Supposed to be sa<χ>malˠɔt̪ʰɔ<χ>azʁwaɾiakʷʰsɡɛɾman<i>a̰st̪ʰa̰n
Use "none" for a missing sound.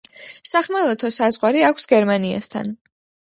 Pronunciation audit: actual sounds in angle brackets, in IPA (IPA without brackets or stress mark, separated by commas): χ, s, i